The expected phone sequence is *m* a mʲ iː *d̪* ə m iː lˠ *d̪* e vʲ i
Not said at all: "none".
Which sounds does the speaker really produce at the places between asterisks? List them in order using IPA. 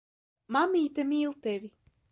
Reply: m, t̪, t̪

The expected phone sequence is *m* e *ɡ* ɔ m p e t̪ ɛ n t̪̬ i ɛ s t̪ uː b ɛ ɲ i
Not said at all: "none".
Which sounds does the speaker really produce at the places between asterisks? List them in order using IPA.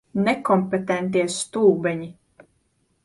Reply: n, k

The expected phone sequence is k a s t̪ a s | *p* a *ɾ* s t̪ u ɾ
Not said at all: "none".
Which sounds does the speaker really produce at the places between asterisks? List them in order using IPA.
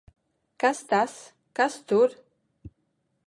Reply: k, none

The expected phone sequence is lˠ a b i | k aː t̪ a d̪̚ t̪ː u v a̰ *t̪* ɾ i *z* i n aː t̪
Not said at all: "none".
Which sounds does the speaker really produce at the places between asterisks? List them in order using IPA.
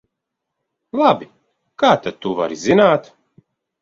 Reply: none, z

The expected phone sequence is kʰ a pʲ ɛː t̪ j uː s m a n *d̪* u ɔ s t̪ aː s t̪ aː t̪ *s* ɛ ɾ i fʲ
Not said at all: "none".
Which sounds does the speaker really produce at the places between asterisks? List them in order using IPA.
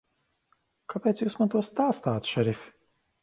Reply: t̪, ʃ

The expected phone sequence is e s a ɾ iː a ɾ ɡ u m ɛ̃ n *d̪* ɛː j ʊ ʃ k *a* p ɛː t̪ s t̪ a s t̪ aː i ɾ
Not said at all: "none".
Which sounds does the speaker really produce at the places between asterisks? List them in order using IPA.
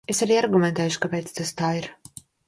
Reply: t̪, a

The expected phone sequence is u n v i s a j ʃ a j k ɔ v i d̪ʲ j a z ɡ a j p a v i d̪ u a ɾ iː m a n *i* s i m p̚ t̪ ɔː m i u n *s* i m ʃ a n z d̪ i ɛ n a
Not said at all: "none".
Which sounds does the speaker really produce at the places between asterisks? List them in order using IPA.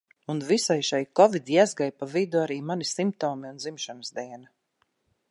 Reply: i, z

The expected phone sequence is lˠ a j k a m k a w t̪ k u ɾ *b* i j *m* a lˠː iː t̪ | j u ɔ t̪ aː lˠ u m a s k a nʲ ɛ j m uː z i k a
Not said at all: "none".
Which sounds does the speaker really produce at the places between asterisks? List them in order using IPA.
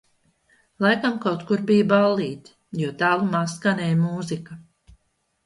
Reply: b, b

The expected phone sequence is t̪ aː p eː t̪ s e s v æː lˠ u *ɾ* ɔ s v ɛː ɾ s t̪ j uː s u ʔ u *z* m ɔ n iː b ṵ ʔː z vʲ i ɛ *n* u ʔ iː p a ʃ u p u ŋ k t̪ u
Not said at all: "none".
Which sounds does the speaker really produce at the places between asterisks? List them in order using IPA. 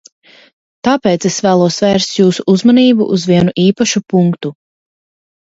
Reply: none, z, n

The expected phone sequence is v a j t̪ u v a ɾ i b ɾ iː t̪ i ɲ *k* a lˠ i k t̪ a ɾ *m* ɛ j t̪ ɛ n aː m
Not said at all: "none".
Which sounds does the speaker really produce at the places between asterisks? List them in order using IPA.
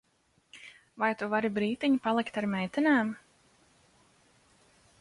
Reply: p, m

